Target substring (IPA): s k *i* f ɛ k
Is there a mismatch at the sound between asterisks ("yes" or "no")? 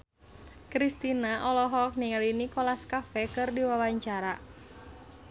yes